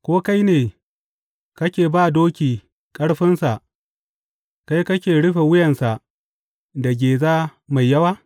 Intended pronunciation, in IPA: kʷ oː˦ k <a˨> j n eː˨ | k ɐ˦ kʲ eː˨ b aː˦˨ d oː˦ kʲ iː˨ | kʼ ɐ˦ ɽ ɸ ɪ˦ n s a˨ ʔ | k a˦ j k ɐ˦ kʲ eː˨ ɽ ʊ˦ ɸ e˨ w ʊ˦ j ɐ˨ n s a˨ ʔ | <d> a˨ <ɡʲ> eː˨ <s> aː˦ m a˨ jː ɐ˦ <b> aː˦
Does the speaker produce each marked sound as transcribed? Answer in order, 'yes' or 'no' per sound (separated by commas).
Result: no, yes, yes, no, no